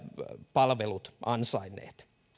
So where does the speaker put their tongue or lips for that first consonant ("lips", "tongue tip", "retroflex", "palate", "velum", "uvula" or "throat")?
lips